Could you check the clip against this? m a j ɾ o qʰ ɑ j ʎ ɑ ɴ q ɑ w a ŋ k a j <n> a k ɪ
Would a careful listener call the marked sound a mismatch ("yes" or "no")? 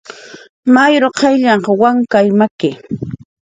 yes